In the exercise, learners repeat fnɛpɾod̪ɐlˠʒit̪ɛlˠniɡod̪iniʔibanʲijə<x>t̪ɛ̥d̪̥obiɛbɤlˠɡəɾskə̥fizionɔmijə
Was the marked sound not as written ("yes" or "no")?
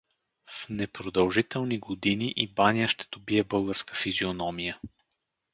yes